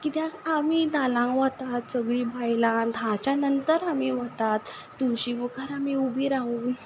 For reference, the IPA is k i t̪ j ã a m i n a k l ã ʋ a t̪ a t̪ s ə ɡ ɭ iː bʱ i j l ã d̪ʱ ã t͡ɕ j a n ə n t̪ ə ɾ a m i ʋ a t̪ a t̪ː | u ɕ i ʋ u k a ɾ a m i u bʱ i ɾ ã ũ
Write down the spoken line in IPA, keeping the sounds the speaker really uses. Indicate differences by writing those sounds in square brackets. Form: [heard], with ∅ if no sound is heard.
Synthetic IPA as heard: k i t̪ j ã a m i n a [∅] l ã ʋ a t̪ a t̪ s ə ɡ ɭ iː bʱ [a] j l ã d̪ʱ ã t͡ɕ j a n ə n t̪ ə ɾ a m i ʋ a t̪ a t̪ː | u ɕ i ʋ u k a ɾ a m i u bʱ i ɾ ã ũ